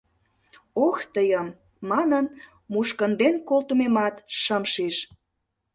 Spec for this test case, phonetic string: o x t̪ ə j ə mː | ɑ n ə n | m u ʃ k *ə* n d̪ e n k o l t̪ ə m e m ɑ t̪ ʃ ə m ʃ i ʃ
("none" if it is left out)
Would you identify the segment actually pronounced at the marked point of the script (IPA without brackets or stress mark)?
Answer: ə